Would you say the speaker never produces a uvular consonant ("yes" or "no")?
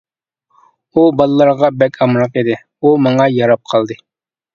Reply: no